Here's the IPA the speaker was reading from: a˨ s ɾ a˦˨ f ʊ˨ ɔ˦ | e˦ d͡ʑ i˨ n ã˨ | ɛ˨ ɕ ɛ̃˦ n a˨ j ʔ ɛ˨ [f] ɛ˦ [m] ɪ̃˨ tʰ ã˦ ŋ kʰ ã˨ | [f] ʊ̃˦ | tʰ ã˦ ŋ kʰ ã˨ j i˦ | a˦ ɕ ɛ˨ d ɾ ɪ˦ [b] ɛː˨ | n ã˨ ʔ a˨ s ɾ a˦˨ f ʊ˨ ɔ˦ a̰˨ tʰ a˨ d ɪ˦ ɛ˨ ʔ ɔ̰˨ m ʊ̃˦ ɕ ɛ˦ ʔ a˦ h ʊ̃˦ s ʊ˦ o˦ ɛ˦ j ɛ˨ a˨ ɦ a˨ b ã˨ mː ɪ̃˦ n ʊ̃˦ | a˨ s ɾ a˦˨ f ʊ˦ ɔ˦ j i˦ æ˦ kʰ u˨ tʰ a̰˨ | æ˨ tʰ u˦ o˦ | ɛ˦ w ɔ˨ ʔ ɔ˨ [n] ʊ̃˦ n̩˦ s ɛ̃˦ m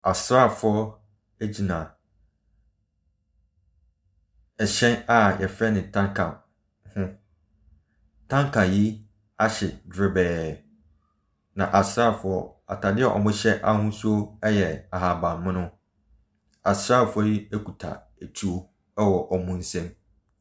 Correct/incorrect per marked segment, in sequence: correct, incorrect, incorrect, correct, incorrect

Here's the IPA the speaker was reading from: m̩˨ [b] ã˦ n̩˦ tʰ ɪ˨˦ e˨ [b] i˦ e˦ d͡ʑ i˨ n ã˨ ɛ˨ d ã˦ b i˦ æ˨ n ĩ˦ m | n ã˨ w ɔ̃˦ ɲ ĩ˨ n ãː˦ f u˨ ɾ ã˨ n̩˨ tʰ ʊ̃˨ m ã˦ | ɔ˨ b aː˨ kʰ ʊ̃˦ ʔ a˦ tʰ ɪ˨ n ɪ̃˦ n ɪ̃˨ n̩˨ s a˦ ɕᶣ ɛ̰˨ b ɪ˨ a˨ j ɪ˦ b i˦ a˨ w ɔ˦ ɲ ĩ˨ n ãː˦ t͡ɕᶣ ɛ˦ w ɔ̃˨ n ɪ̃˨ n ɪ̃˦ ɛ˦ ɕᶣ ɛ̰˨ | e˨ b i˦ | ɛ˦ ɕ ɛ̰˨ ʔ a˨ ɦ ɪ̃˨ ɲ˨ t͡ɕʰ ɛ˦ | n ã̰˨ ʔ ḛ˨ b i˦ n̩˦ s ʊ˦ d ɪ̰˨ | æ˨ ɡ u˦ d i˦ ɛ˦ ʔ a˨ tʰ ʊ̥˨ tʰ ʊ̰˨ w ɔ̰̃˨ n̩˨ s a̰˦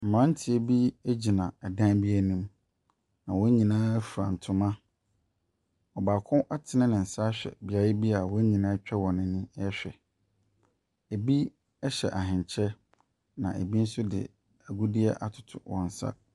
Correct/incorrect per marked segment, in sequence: incorrect, correct

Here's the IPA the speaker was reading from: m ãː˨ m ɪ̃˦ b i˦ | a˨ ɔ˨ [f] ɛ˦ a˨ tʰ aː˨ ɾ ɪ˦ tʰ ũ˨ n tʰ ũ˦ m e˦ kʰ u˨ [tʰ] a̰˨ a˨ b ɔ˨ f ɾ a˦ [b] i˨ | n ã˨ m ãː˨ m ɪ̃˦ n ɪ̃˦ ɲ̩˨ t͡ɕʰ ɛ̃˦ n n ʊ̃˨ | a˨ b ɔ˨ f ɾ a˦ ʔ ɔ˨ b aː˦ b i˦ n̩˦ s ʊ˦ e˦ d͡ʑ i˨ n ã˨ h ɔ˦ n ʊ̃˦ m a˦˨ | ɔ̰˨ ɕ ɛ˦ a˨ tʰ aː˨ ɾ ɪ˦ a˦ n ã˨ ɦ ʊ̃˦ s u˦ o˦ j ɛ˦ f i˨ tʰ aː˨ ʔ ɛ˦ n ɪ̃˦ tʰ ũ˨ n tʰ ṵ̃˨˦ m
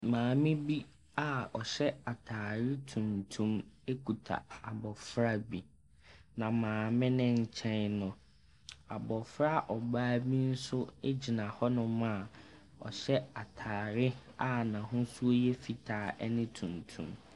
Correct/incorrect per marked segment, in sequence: incorrect, correct, correct

